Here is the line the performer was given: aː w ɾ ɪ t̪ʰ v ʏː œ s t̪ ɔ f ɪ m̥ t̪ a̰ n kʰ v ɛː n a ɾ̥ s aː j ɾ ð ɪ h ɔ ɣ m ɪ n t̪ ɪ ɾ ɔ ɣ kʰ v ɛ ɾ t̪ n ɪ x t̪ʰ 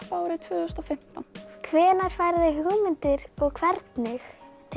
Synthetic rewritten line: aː w ɾ ɪ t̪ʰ v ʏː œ s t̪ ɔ f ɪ m̥ t̪ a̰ n kʰ v ɛː n a ɾ̥ f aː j ɾ ð ɪ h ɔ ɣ m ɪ n t̪ ɪ ɾ ɔ ɣ kʰ v ɛ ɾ t̪ n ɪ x t̪ʰ